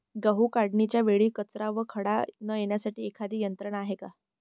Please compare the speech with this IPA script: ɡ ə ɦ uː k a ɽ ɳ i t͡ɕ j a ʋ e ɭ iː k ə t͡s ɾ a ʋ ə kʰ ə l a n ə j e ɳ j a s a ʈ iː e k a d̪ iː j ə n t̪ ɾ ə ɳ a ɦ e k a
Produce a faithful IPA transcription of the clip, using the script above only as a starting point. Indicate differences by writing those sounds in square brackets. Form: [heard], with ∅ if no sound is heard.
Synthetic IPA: ɡ ə ɦ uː k a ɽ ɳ i t͡ɕ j a ʋ e ɭ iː k ə t͡s ɾ a ʋ ə kʰ ə [ɽ] a n ə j e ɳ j a s a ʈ iː e [kʰ] a d̪ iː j ə n t̪ ɾ ə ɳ a ɦ e k a